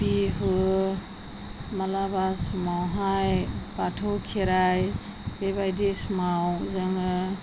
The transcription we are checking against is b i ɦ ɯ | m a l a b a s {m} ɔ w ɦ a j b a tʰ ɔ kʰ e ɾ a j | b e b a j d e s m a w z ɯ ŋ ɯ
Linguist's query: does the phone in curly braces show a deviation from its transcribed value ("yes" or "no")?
no